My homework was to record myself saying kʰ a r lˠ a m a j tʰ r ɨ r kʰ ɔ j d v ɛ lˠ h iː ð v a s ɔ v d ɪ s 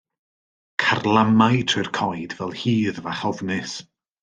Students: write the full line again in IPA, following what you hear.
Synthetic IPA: kʰ a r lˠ a m a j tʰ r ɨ r kʰ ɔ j d v ɛ lˠ h iː ð v a χ ɔ v n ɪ s